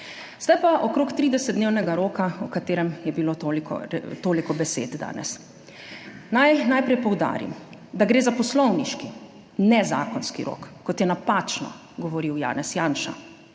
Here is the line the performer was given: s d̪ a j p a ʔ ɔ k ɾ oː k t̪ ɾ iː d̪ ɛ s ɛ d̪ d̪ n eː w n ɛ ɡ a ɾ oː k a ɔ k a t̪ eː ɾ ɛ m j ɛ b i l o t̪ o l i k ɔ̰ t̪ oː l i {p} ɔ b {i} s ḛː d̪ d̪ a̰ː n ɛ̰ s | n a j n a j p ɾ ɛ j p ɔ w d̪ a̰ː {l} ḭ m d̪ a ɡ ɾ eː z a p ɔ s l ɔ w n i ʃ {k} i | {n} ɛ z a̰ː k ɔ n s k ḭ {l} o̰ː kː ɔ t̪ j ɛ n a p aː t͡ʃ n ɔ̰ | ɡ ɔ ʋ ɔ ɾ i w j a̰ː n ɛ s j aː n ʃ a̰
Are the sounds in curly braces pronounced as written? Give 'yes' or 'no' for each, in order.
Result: no, no, no, yes, yes, no

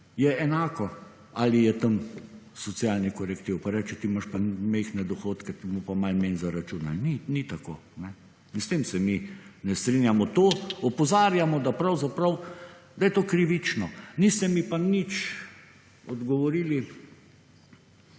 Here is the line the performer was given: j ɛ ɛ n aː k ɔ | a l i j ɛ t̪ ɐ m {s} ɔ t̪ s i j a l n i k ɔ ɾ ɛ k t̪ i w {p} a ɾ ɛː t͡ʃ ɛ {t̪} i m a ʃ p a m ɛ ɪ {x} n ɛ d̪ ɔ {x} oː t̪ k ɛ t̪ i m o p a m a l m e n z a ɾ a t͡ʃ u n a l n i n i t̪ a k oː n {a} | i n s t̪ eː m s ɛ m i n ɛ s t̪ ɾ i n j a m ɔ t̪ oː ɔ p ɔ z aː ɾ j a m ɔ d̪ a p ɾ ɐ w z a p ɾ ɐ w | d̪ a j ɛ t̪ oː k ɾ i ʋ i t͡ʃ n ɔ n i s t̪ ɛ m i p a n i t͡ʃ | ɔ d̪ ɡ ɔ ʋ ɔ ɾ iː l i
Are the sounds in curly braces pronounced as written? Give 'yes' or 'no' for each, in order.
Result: yes, yes, yes, yes, yes, no

